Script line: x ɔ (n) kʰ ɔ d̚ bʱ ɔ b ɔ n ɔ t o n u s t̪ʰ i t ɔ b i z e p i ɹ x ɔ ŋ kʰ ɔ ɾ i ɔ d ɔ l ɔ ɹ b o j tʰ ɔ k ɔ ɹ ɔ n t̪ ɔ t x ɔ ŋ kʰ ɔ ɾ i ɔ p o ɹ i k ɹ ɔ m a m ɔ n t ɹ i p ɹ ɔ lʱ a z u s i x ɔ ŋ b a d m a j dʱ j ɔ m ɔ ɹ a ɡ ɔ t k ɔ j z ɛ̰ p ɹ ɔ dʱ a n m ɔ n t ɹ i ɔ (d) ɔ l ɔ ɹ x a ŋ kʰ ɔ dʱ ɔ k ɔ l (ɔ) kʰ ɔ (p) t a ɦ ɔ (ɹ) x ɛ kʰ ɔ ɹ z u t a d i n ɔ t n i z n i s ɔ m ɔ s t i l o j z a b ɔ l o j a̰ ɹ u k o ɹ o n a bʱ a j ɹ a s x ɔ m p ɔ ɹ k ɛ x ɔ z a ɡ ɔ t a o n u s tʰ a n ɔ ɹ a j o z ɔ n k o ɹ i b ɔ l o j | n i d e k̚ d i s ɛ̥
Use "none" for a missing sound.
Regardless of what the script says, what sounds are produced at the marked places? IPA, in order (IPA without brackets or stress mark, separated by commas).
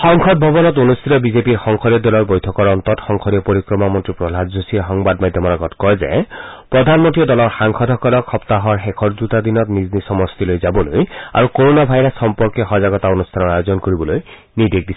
ŋ, d, ɔ, p, ɹ